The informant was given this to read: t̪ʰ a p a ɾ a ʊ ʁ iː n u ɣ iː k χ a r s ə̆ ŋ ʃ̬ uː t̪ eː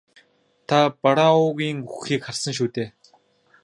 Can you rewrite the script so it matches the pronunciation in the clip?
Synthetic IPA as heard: t̪ʰ a p a ɾ a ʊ ɣ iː ŋ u x iː k χ a r s ə̆ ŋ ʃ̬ uː t̪ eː